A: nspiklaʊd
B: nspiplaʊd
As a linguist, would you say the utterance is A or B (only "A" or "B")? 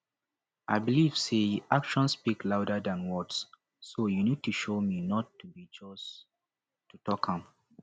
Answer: A